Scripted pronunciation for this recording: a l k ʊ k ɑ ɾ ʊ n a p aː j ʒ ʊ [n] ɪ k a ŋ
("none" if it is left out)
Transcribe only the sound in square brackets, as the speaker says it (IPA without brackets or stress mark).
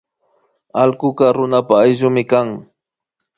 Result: m